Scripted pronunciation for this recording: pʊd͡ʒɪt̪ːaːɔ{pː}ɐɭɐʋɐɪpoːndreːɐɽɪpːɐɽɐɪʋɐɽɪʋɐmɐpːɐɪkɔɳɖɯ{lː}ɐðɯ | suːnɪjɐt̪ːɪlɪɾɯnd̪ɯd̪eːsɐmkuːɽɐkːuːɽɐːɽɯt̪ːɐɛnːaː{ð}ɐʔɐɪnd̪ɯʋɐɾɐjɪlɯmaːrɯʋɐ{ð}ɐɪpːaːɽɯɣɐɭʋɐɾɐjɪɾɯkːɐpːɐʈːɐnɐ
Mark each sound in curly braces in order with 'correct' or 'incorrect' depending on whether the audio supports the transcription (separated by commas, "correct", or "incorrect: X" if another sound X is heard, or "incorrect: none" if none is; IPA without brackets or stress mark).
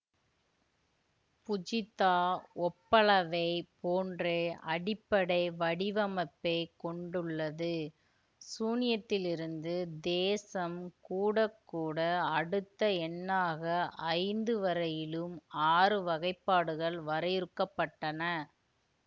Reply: correct, incorrect: ɭː, incorrect: ɣ, incorrect: ɣ